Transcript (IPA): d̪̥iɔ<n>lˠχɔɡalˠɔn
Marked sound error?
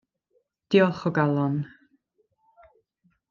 yes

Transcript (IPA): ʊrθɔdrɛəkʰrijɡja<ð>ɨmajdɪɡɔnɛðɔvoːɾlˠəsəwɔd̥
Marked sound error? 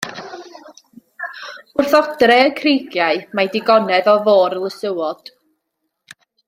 yes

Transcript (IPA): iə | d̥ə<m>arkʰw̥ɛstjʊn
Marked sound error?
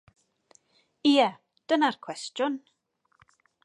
yes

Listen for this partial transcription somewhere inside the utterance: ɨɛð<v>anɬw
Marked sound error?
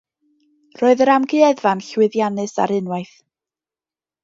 no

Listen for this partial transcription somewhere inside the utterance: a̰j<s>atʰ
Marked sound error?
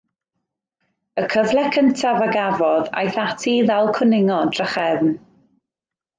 yes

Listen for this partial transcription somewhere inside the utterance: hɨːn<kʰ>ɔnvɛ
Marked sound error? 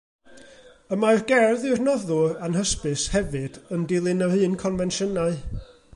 no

